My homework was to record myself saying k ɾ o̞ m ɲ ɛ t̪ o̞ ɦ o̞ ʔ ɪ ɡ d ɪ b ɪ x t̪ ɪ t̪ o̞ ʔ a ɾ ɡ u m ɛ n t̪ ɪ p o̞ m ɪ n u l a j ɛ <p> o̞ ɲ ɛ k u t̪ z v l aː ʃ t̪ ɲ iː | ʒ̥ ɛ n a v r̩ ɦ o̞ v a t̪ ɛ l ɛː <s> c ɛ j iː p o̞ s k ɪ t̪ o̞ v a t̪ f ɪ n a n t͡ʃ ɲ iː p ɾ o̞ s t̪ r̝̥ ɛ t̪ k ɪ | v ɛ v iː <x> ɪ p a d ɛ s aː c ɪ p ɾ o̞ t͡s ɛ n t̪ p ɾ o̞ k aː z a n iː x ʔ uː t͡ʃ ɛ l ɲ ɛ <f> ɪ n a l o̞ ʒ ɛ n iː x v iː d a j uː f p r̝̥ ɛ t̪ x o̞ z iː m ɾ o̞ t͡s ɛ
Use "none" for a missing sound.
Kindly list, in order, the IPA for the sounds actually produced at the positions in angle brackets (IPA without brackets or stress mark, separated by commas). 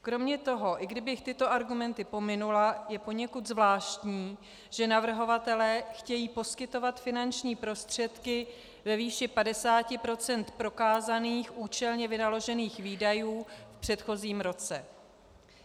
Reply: p, x, ʃ, v